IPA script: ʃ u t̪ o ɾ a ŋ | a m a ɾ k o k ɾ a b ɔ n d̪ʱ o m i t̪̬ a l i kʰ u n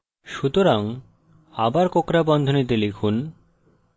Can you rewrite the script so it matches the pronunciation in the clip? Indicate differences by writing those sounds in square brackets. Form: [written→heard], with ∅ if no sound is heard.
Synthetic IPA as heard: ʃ u t̪ o ɾ a ŋ | a [m→b] a ɾ k o k ɾ a b ɔ n d̪ʱ o [m→n] i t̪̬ [a→e] l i kʰ u n